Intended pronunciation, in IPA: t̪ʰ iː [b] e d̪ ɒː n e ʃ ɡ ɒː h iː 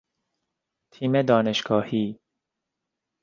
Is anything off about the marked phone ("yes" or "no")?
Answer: yes